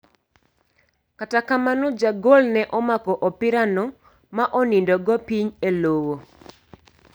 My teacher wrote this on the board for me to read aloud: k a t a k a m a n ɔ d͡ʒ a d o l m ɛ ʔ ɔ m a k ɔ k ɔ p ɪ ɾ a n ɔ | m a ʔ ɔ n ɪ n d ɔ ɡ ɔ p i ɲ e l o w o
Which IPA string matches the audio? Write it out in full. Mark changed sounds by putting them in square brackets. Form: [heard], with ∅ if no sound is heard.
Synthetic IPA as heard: k a t a k a m a n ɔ d͡ʒ a [ɡ] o l [n] ɛ ʔ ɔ m a k ɔ [ʔ] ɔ p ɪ ɾ a n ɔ | m a ʔ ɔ n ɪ n d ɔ ɡ ɔ p i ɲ e l o w o